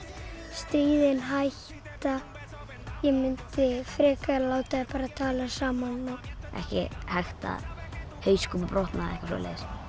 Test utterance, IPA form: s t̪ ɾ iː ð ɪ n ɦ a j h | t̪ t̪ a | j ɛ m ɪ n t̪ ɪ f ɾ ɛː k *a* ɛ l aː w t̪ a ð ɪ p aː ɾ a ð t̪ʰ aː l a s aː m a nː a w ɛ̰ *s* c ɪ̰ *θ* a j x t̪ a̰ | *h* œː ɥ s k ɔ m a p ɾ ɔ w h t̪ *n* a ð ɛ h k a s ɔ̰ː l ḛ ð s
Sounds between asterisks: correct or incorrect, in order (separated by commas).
correct, incorrect, incorrect, correct, correct